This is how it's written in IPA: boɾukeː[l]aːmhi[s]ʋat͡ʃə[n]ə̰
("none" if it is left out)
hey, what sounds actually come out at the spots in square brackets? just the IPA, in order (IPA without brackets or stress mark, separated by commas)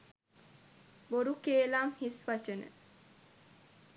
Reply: l, s, n